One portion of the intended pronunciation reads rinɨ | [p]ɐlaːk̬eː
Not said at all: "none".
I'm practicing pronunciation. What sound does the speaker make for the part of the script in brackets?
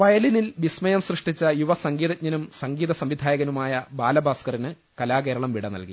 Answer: k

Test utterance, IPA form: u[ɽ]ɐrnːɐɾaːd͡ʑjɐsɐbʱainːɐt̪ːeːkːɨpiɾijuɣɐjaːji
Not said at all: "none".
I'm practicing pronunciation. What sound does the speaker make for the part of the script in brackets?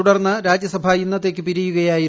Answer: ɽ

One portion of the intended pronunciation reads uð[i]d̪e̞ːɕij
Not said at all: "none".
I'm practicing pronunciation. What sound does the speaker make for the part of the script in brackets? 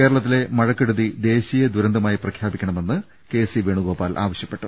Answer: i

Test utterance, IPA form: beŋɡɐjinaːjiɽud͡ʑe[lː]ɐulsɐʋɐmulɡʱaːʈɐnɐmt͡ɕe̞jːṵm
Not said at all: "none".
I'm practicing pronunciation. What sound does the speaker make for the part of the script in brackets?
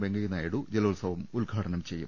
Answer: l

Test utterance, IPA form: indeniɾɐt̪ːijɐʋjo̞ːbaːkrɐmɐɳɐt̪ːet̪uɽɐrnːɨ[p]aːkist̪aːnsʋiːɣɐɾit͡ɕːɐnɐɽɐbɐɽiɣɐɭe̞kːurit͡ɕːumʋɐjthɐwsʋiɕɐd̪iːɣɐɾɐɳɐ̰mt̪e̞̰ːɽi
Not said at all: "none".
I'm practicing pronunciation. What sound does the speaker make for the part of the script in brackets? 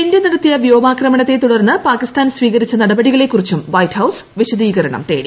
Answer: p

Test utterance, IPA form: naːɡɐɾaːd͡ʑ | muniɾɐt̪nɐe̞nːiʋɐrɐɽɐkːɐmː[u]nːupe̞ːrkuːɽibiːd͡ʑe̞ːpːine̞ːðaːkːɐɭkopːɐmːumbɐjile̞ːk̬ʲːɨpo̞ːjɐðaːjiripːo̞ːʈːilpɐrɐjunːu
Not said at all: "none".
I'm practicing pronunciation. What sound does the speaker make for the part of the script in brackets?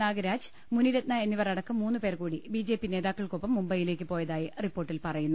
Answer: uː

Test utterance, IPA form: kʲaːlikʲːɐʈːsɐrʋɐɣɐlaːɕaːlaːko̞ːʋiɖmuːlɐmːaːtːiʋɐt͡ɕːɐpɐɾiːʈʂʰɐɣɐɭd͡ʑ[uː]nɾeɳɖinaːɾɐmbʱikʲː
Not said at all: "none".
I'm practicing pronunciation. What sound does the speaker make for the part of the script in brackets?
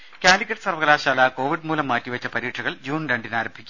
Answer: uː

